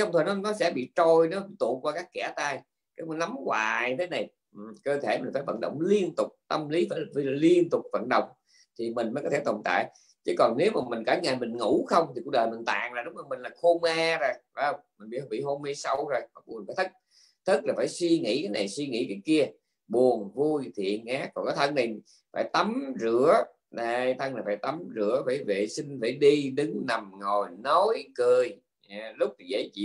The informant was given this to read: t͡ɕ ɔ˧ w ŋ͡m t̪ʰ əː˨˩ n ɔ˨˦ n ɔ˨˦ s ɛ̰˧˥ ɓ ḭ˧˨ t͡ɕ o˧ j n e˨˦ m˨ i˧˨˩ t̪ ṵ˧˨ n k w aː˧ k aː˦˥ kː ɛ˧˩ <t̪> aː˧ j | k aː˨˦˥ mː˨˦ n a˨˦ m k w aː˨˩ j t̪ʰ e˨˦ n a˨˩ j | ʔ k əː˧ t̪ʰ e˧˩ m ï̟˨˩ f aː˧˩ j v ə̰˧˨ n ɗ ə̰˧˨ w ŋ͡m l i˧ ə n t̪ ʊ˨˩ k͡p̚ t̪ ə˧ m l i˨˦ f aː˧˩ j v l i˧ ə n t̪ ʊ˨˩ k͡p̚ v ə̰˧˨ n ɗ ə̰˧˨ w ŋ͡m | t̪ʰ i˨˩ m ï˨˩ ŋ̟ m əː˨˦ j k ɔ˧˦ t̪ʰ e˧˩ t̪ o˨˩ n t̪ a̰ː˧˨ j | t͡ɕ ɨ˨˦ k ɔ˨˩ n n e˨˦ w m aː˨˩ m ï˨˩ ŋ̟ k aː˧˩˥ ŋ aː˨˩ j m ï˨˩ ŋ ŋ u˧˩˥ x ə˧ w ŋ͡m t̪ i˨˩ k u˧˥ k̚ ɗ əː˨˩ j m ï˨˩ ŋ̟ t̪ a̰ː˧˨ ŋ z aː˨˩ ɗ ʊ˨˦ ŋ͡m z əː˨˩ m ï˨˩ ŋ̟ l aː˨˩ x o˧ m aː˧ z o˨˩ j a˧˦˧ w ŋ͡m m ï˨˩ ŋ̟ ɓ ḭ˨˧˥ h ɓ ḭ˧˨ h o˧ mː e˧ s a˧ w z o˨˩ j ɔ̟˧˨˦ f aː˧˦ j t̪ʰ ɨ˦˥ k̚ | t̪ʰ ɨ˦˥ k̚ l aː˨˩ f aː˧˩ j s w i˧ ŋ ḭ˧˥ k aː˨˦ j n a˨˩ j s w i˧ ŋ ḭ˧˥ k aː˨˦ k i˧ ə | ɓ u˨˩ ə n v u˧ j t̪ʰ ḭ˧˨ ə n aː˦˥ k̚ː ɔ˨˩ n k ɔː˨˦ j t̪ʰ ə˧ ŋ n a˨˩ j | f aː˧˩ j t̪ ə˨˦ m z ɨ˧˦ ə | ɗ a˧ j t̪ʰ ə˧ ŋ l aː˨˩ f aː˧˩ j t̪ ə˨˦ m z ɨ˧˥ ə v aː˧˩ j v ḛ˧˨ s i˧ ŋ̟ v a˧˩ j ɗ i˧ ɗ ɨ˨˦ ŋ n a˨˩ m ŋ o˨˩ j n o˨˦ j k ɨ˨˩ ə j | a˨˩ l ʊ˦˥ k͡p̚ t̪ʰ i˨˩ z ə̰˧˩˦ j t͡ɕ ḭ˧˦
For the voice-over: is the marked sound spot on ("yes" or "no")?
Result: yes